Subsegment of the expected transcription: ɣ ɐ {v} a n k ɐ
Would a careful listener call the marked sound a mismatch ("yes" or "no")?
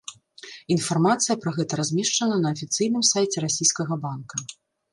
yes